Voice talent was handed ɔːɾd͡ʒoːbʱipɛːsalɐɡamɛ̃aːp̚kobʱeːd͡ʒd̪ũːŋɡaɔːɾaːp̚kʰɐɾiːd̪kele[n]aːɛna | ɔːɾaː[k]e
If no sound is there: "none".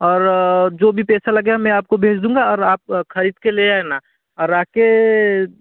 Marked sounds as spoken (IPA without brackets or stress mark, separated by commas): none, k